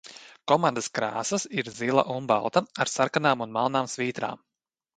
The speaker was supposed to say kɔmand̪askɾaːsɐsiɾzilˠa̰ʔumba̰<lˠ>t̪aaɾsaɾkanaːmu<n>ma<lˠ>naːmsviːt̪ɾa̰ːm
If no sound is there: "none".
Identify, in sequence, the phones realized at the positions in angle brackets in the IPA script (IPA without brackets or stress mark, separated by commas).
lˠ, n, lˠ